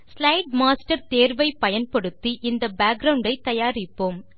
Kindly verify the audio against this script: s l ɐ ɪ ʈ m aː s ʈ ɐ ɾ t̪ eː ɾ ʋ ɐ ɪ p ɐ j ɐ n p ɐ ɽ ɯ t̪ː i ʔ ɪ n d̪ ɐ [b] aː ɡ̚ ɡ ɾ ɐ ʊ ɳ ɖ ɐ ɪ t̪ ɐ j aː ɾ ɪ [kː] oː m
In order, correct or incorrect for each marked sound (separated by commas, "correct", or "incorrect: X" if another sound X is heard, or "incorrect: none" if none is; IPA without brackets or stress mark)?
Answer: correct, incorrect: pː